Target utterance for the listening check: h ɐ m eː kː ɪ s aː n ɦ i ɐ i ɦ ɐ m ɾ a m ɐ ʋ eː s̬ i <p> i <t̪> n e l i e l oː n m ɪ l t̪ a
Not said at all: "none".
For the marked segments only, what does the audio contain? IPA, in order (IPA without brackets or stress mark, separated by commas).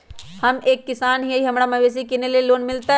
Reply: k, none